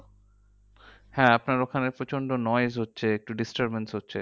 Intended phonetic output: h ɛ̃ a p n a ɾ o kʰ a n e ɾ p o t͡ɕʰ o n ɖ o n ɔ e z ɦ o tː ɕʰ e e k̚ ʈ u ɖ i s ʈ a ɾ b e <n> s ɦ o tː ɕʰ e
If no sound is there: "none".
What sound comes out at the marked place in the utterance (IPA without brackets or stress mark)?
n